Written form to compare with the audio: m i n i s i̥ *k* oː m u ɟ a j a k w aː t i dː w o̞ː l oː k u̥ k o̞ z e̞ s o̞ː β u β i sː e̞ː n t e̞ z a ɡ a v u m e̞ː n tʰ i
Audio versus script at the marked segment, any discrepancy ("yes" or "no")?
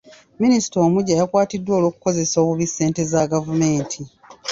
yes